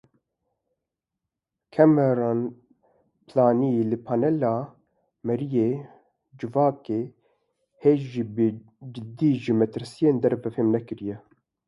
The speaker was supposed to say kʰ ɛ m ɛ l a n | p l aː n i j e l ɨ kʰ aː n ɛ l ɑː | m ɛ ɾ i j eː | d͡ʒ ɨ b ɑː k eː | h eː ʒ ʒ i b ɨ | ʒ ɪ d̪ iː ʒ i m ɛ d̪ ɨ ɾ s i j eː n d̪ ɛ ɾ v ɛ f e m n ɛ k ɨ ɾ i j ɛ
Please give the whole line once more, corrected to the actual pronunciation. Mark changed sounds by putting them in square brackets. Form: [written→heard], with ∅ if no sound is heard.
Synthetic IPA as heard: kʰ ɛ m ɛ [l→ɾ] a n | p l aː n i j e l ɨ [kʰ→pʰ] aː n ɛ l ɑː | m ɛ ɾ i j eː | d͡ʒ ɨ [b→v] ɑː k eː | h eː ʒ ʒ i b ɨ | [ʒ→d͡ʒ] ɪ d̪ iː ʒ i m ɛ [d̪→t̪] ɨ ɾ s i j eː n d̪ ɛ ɾ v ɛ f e m n ɛ k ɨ ɾ i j ɛ